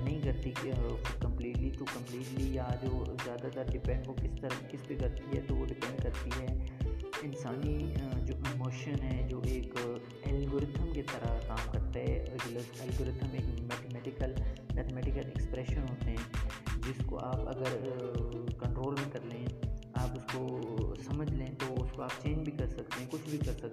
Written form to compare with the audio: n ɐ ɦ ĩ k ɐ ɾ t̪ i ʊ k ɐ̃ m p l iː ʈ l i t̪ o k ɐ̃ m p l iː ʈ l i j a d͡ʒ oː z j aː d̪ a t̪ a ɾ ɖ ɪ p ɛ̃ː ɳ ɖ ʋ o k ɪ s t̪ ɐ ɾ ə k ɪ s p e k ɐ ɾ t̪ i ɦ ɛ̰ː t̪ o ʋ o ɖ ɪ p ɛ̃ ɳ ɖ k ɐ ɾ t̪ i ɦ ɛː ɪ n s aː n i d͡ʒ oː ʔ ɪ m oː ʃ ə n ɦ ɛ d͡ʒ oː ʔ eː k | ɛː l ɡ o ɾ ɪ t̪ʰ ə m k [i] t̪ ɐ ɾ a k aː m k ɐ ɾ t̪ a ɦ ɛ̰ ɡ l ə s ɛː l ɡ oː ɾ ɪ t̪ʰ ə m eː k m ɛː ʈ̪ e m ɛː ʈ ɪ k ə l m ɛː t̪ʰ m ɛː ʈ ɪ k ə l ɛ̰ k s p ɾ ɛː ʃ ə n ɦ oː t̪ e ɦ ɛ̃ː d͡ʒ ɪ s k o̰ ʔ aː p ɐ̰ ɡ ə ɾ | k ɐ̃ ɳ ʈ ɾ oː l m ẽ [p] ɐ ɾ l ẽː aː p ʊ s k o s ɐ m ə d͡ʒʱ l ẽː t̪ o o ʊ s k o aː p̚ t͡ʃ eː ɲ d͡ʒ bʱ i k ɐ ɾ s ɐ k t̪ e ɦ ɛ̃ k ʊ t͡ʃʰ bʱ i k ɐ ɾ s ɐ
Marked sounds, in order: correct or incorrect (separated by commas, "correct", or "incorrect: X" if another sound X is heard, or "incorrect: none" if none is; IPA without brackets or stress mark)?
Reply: incorrect: e, incorrect: k